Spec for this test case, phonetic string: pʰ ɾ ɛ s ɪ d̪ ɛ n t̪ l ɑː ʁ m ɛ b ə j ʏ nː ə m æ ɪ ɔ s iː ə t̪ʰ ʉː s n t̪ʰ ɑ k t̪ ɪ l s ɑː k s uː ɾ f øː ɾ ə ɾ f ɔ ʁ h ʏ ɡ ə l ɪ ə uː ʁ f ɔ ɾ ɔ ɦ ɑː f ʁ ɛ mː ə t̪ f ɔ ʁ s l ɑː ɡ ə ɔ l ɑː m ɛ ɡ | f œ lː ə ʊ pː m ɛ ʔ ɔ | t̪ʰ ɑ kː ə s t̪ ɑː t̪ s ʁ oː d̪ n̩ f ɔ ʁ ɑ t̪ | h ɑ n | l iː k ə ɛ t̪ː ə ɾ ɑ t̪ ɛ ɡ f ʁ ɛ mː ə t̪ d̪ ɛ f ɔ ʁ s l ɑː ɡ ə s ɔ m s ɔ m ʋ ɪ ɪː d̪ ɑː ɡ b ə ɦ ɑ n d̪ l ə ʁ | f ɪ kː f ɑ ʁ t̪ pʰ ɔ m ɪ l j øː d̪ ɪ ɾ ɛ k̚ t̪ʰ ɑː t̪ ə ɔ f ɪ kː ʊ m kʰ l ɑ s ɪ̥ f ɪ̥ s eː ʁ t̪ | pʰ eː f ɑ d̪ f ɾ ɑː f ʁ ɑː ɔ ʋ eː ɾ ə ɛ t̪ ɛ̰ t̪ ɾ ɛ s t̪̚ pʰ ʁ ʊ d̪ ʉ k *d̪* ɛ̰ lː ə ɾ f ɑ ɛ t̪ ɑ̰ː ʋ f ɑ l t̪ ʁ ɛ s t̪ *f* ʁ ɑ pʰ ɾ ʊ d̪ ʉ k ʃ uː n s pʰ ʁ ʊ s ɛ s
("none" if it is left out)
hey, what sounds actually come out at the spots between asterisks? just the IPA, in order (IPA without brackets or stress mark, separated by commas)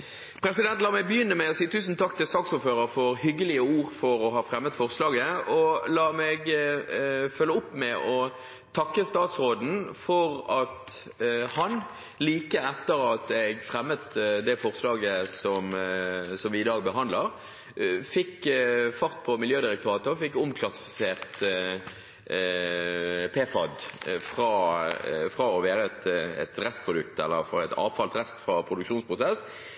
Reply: t̪, f